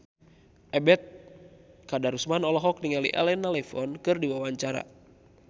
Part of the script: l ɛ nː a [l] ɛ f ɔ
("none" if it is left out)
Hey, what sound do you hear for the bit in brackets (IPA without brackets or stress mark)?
l